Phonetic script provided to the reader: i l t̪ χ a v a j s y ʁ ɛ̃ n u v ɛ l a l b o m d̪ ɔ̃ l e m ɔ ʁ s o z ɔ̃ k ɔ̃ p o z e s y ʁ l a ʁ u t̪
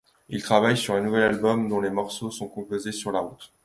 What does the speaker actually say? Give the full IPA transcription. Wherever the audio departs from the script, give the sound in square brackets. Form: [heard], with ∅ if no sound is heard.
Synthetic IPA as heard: i l t̪ χ a v a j s y ʁ ɛ̃ n u v ɛ l a l b [ɔ] m d̪ ɔ̃ l e m ɔ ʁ s o [s] ɔ̃ k ɔ̃ p o z e s y ʁ l a ʁ u t̪